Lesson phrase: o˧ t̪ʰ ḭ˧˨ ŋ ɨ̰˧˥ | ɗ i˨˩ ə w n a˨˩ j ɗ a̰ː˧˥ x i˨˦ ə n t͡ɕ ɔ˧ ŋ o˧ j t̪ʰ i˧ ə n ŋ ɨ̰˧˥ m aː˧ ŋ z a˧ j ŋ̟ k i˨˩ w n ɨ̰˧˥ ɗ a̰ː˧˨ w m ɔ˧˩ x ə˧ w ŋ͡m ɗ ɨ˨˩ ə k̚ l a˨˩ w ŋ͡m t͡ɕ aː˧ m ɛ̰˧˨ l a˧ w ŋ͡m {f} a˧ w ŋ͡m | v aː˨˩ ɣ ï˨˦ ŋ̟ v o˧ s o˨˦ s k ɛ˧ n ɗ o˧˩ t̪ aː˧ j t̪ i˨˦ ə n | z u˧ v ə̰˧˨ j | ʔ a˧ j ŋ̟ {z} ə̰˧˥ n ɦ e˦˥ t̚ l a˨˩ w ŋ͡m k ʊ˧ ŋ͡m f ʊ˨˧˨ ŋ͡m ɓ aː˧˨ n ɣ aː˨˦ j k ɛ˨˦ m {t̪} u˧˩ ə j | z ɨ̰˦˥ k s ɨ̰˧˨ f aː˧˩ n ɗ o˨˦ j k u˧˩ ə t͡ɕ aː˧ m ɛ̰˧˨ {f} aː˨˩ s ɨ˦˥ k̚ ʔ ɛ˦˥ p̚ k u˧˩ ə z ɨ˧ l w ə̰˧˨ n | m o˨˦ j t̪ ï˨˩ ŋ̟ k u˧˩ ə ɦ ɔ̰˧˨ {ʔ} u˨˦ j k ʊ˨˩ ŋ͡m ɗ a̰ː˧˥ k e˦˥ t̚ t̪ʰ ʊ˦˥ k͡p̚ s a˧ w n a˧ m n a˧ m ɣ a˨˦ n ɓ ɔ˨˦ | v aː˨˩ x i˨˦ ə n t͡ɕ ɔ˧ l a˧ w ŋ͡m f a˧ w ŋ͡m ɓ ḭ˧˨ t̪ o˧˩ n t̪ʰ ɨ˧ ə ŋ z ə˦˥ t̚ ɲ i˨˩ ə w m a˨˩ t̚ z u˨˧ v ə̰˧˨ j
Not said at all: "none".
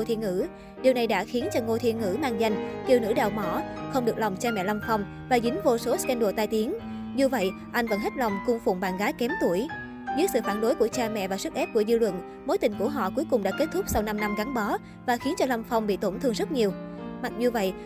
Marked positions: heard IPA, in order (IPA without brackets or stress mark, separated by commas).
f, v, t̪, v, k